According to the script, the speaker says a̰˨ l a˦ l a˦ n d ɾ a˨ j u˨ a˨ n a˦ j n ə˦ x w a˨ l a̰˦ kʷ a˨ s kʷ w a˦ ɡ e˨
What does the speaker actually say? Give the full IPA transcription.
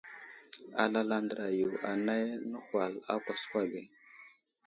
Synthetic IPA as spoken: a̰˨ l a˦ l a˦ n d ɾ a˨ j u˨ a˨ n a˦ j n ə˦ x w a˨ l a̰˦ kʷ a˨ s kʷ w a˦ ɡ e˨